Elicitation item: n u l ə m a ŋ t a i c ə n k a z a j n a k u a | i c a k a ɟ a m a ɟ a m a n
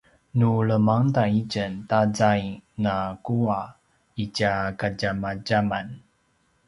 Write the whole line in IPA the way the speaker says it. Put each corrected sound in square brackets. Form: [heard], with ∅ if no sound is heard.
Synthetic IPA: n u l ə m a ŋ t a i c ə n [t] a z a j n a k u a | i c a k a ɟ a m a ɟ a m a n

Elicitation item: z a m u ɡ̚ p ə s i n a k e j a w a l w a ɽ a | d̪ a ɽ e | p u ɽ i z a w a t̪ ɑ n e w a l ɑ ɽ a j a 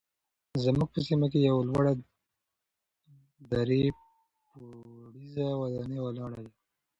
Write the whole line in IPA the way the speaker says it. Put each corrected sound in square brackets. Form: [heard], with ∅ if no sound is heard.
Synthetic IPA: z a m u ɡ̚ p ə s i [m] a k e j a w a l w a ɽ a | d̪ a [ɾ] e | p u ɽ i z a w a [d̪] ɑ n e w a l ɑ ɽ a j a

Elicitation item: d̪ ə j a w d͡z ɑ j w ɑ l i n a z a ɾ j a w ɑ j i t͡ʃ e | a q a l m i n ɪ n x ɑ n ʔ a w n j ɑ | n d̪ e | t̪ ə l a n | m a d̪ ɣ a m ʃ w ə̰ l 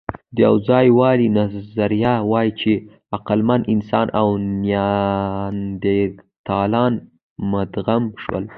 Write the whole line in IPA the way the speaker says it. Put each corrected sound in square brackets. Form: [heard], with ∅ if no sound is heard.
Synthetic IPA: d̪ ə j a w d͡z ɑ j w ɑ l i n a z a ɾ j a w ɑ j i t͡ʃ e | a q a l m [a] n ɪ n [s] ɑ n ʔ a w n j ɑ | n d̪ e | t̪ [ɑ] l [ɑ] n | m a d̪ ɣ a m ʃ w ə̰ l

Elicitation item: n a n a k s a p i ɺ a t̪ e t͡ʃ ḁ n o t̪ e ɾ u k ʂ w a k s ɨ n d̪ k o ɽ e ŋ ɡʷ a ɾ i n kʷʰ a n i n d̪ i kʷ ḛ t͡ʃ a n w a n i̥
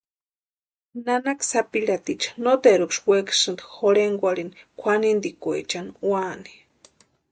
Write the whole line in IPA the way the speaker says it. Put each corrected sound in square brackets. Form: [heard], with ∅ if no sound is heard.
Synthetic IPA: n a n a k s a p i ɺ a t̪ [i] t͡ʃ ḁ n o t̪ e ɾ u k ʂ w [e] k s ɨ n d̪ [x] o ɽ e ŋ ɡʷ a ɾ i n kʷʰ a n i n d̪ i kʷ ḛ t͡ʃ a n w a n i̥

